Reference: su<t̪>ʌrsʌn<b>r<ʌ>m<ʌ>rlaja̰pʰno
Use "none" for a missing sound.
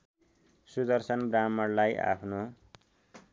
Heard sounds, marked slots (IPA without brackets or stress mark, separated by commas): d̪, b, a, ʌ